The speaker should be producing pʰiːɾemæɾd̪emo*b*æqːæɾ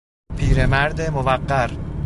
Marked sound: incorrect: v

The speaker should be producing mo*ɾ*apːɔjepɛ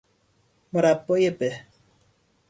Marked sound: correct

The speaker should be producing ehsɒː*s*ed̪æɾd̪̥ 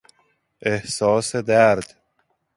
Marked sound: correct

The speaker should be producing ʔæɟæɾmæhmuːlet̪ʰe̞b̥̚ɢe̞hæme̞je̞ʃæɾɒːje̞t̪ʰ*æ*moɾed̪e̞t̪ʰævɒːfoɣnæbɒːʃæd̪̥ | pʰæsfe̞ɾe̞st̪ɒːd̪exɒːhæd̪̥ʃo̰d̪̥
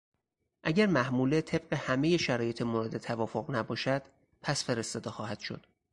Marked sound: incorrect: e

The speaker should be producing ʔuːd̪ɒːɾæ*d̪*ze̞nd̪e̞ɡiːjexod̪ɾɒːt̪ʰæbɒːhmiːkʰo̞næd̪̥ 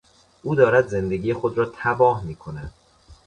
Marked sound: correct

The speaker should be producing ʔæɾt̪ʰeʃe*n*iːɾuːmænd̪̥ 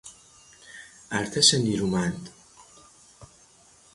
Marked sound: correct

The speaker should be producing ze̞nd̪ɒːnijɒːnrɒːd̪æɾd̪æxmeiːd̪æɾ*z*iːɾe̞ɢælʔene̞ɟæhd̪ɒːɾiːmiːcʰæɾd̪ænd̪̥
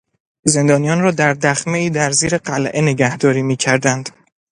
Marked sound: correct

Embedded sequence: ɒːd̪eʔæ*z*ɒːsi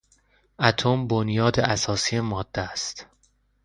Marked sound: incorrect: s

